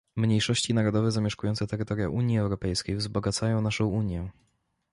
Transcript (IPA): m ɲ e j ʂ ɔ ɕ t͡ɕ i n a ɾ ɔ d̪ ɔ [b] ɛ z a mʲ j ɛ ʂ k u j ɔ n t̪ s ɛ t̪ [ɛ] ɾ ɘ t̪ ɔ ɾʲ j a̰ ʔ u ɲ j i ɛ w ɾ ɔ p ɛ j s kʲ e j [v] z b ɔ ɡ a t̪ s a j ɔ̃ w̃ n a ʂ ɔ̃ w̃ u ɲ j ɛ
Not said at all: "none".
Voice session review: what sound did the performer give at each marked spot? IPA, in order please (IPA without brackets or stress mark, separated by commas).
v, ɛ, v